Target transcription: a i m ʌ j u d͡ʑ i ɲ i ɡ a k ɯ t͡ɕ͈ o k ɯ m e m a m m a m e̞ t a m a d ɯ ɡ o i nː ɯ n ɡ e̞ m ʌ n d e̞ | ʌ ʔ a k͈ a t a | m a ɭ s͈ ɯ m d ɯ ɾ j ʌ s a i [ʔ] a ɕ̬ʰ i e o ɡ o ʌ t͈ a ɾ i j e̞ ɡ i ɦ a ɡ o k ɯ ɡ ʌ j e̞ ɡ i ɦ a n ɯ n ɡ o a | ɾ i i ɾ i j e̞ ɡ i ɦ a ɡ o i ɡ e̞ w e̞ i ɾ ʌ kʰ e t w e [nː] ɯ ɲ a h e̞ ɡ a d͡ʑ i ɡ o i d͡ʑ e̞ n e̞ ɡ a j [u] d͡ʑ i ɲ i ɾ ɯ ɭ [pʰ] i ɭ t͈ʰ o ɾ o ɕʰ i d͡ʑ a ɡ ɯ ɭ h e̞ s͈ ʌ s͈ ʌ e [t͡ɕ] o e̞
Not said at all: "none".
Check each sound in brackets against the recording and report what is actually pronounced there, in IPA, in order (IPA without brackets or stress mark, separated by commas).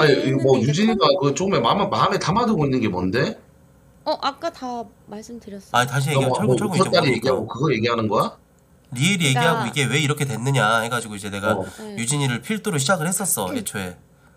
t, nː, u, pʰ, t͡ɕʰ